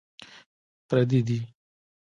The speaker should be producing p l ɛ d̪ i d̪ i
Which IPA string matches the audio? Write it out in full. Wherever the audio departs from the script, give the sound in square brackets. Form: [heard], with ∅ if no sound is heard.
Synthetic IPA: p [ɾ] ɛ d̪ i d̪ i